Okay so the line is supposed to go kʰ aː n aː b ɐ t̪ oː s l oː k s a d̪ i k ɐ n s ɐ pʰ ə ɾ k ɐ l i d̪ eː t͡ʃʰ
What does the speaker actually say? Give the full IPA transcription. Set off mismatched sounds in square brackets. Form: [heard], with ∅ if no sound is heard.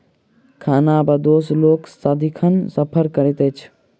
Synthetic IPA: kʰ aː n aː b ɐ [d̪] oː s l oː k s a d̪ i [kʰ] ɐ n s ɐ pʰ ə ɾ k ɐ [ɾ] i [t̪] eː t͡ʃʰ